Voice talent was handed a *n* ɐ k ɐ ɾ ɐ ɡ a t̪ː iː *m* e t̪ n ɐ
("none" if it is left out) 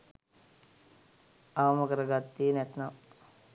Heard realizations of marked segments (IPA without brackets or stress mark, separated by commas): m, n